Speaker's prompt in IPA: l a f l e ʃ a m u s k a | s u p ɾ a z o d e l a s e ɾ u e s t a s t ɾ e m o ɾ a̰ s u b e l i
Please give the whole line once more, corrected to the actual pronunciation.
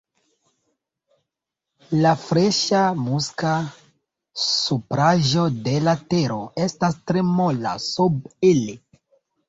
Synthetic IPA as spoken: l a f ɾ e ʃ a m u s k a | s u p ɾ a ʒ o d e l a t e ɾ o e s t a s t ɾ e m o l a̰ s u b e l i